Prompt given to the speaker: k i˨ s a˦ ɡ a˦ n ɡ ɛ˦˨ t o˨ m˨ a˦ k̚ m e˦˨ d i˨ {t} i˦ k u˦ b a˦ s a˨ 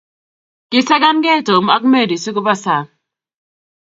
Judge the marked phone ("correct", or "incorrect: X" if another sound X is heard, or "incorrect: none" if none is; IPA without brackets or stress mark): incorrect: s